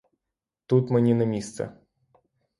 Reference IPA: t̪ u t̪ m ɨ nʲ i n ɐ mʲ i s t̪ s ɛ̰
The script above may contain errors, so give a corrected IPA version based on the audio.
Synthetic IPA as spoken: t̪ u t̪ m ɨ nʲ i n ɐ mʲ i s t̪ s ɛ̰